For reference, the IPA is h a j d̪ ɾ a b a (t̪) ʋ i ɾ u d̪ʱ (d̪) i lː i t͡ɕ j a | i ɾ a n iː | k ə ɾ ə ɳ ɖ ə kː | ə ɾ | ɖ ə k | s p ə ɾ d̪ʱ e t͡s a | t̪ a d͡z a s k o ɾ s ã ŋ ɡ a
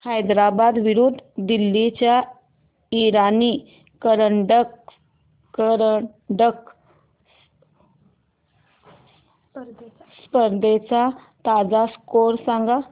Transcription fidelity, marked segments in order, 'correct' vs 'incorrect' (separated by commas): incorrect, correct